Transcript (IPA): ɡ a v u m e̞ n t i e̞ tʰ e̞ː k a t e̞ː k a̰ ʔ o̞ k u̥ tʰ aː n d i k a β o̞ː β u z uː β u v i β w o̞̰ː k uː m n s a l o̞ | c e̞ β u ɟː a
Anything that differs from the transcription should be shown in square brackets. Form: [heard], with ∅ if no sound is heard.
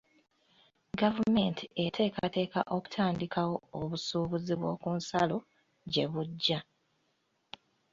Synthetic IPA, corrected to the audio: ɡ a v u m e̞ n t i e̞ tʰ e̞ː k a t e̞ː k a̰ ʔ o̞ k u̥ tʰ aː n d i k a [w] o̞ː β u [s] uː β u [z] i β w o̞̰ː k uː [∅] n s a l o̞ | [ɟ] e̞ β u ɟː a